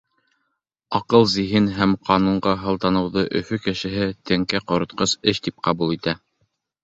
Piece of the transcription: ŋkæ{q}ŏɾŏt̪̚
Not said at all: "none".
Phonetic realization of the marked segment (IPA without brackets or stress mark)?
q